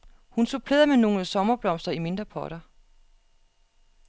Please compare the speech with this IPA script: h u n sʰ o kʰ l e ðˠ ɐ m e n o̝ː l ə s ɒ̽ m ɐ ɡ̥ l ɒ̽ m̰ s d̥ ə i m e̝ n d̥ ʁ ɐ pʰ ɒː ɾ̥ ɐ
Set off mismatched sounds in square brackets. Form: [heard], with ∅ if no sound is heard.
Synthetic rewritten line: h u n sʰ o [pʰ] l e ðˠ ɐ m e n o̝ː l ə s ɒ̽ m ɐ [b̥] l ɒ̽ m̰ s d̥ [ɐ] i m e̝ n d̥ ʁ ɐ pʰ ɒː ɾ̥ ɐ